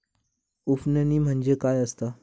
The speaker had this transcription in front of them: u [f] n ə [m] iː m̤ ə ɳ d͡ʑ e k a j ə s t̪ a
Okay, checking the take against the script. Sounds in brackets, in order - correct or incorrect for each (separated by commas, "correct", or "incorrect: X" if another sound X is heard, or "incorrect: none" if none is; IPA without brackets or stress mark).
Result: correct, incorrect: n